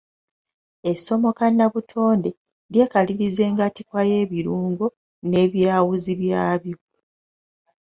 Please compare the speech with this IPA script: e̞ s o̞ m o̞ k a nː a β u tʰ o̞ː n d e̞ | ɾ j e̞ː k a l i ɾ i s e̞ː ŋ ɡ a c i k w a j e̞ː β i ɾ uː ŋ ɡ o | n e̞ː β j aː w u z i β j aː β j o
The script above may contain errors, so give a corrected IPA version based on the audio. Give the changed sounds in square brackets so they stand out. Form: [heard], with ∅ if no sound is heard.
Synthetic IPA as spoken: e̞ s o̞ m o̞ k a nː a β u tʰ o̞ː n d e̞ | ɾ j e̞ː k a l i ɾ i [z] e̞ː ŋ ɡ a [t] i k w a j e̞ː β i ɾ uː ŋ ɡ o | n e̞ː β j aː w u z i β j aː β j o